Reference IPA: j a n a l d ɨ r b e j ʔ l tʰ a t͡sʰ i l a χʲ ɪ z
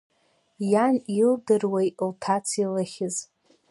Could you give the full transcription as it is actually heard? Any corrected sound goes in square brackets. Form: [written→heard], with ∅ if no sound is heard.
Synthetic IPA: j a n [a→i] l d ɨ r [b→w] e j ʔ l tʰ a t͡sʰ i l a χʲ ɪ z